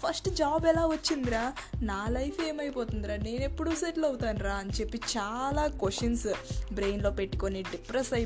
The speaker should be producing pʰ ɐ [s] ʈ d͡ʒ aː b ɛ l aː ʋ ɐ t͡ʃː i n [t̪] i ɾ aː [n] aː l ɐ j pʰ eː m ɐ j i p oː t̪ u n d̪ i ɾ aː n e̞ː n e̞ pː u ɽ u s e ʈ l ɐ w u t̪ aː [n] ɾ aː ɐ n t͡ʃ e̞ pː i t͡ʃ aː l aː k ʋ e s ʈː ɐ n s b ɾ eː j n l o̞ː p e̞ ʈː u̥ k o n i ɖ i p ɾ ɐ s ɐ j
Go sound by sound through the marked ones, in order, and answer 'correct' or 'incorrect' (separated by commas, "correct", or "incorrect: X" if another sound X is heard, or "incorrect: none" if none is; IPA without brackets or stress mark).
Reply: correct, incorrect: d̪, correct, correct